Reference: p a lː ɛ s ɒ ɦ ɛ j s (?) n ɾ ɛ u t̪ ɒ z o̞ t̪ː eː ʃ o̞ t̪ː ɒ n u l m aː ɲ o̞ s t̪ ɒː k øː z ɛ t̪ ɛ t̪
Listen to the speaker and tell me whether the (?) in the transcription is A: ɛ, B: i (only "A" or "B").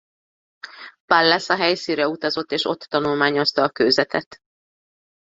B